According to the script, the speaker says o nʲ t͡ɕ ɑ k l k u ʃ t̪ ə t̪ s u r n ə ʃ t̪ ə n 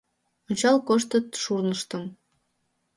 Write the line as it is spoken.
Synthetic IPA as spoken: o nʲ t͡ɕ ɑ l k o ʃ t̪ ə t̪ ʃ u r n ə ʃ t̪ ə m